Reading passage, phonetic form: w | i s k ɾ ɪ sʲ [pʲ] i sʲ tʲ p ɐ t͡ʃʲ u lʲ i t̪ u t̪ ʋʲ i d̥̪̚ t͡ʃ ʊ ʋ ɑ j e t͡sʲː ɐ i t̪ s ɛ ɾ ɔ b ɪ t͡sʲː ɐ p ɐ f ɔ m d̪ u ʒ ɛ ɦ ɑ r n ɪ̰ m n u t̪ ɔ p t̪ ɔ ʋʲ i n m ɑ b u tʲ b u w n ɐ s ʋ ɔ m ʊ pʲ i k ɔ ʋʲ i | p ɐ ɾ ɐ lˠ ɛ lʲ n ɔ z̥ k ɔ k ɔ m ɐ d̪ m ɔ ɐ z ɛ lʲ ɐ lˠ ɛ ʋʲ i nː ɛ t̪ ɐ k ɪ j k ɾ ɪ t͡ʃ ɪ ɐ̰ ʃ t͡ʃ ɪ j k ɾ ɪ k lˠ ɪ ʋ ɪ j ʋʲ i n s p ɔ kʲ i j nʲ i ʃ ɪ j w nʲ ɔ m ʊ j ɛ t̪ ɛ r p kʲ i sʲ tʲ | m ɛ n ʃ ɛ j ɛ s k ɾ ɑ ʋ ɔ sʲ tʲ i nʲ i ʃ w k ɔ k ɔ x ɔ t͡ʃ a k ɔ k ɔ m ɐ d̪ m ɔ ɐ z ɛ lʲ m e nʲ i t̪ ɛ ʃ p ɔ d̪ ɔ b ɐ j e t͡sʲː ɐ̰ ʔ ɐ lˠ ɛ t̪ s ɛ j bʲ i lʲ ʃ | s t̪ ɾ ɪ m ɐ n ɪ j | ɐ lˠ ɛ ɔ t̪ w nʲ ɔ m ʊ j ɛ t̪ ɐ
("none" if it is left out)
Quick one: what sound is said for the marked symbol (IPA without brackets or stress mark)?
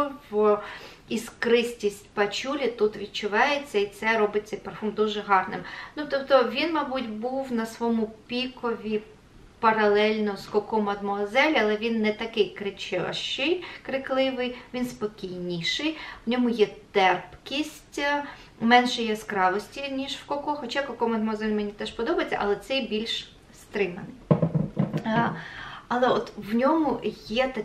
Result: tʲ